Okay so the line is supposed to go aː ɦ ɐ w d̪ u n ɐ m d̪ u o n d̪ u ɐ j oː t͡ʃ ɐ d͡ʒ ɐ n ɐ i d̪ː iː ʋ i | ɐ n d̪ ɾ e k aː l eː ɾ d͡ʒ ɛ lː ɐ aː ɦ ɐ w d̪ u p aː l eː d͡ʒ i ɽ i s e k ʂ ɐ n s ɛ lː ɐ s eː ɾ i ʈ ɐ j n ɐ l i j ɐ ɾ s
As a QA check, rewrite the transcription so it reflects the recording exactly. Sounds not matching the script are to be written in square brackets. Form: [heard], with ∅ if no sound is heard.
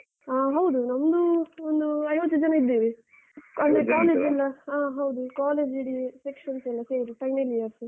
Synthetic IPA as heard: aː ɦ ɐ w d̪ u n ɐ m d̪ u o n d̪ u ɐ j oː t͡ʃ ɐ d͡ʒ ɐ n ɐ i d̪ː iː ʋ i | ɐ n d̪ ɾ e k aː l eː [∅] d͡ʒ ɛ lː ɐ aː ɦ ɐ w d̪ u [k] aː l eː d͡ʒ i ɽ i s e k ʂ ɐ n s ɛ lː ɐ s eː ɾ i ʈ ɐ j n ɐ l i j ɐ ɾ s

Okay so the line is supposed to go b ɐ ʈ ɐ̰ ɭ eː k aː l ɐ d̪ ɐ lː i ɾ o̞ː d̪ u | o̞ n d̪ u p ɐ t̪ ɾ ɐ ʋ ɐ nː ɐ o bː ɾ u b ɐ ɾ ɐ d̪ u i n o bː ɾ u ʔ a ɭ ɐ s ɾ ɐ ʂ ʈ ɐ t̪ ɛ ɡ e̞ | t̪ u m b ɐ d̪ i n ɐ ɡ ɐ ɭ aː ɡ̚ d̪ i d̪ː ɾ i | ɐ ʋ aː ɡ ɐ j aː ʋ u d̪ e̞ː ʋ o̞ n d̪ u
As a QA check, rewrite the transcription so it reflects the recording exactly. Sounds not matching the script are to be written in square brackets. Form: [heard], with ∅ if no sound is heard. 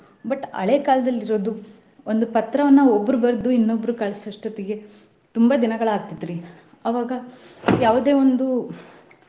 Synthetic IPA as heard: b ɐ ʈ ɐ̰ ɭ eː k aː l ɐ d̪ ɐ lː i ɾ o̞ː d̪ u | o̞ n d̪ u p ɐ t̪ ɾ ɐ ʋ ɐ nː ɐ o bː ɾ u b ɐ ɾ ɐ d̪ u i [nː] o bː ɾ u [k] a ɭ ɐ s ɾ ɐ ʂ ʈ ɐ t̪ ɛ ɡ e̞ | t̪ u m b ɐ d̪ i n ɐ ɡ ɐ ɭ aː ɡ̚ [t̪] i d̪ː ɾ i | ɐ ʋ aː ɡ ɐ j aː ʋ u d̪ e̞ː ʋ o̞ n d̪ u

